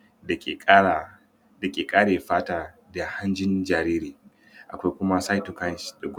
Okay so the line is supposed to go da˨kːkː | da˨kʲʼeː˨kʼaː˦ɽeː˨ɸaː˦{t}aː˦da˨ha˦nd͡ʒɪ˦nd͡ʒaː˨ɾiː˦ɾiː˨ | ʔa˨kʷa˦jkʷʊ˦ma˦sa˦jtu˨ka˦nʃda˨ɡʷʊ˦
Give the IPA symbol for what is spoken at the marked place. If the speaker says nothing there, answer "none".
t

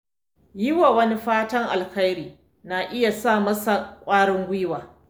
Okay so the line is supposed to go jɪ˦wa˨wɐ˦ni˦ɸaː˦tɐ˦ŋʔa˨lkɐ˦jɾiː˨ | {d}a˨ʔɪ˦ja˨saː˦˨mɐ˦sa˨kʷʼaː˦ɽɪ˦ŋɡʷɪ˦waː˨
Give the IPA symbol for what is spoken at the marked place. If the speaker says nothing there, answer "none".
n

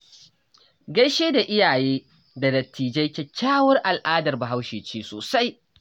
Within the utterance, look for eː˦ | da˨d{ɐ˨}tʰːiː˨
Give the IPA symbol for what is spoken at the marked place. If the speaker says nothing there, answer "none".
ɐ˨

